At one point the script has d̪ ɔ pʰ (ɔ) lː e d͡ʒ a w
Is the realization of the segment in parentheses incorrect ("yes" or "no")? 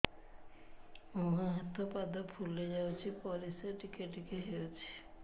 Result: yes